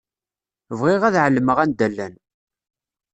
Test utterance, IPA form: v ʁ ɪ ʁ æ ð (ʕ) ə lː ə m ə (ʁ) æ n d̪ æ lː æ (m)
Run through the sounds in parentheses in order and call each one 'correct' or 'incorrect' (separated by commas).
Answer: correct, correct, incorrect